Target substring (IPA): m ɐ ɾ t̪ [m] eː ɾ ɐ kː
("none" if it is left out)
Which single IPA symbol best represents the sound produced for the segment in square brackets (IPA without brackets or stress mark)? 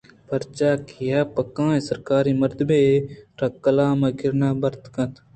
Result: b